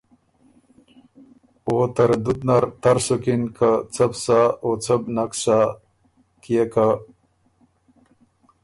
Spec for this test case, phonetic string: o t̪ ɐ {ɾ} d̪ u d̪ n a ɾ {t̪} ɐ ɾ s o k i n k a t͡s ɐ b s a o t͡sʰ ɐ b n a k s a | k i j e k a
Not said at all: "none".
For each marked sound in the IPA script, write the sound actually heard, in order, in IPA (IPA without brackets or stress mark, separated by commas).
ɾ, t̪